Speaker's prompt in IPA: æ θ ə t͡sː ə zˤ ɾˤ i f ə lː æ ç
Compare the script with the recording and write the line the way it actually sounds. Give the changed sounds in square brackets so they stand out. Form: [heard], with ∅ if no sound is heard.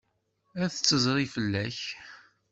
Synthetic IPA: æ θ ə t͡sː ə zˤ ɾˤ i f ə lː æ ç